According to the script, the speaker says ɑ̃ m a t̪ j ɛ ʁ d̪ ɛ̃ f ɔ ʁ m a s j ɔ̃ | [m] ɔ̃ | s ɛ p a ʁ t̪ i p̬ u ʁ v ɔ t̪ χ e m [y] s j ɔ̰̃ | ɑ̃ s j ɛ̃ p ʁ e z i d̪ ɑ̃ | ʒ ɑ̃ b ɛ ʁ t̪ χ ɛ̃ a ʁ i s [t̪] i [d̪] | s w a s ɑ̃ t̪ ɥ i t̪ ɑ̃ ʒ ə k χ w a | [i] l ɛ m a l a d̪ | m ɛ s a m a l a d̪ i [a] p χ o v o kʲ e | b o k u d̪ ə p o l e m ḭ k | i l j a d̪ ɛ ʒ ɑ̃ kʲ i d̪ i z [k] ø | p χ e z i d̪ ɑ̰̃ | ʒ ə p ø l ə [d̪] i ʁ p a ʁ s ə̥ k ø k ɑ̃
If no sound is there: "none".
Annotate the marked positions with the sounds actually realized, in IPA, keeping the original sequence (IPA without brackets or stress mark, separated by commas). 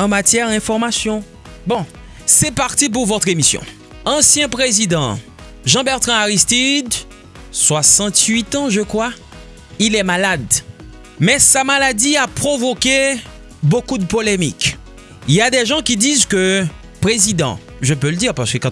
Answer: b, i, t̪, d̪, i, a, k, d̪